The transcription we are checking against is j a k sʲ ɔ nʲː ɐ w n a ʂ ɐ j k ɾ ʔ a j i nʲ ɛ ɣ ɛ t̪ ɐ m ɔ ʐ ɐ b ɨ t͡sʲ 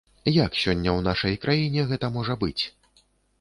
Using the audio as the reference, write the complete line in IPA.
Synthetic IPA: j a k sʲ ɔ nʲː ɐ w n a ʂ ɐ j k ɾ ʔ a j i nʲ ɛ ɣ ɛ t̪ ɐ m ɔ ʐ ɐ b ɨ t͡sʲ